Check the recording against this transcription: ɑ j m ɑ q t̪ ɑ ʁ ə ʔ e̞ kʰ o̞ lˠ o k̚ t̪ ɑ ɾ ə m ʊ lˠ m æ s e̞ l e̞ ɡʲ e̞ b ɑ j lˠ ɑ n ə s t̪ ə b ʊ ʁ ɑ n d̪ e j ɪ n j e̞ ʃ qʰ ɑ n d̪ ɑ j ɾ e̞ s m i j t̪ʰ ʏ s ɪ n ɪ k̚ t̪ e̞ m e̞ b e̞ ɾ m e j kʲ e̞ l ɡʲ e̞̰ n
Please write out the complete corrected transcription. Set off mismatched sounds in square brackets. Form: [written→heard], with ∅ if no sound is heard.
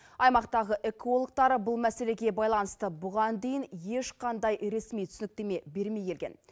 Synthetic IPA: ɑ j m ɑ q t̪ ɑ ʁ ə ʔ e̞ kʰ o̞ lˠ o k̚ t̪ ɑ ɾ ə [m→b] ʊ lˠ m æ s e̞ l e̞ ɡʲ e̞ b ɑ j lˠ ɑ n ə s t̪ ə b ʊ ʁ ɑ n d̪ e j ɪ n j e̞ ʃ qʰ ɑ n d̪ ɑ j ɾ e̞ s m i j t̪ʰ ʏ s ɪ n ɪ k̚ t̪ e̞ m e̞ b e̞ ɾ m e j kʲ e̞ l ɡʲ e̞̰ n